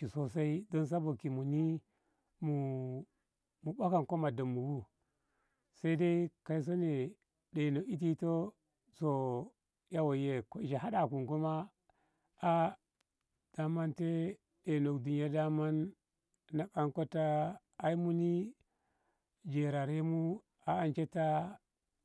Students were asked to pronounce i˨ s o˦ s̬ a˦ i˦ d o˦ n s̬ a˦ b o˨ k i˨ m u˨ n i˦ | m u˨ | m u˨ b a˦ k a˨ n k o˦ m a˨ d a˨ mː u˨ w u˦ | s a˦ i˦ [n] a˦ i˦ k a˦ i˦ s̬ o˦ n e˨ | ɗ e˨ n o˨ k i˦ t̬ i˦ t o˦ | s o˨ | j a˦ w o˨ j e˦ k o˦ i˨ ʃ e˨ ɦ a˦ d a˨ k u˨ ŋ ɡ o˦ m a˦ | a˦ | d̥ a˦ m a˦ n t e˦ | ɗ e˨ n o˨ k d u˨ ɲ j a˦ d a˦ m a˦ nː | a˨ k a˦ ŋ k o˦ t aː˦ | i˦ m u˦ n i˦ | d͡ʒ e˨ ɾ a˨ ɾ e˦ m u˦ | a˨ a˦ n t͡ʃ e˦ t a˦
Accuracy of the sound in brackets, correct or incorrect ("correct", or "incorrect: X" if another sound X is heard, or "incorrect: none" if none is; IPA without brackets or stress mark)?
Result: incorrect: d